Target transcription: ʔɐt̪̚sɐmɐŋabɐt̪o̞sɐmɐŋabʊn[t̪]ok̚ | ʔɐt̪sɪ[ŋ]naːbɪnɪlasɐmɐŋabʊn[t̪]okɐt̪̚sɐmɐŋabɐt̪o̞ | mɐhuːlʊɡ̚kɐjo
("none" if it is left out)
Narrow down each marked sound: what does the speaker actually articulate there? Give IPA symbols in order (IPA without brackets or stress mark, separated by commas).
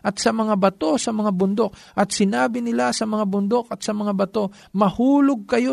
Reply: d̪, none, d̪